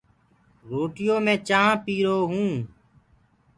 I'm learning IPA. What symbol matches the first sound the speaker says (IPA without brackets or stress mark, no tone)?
ɾ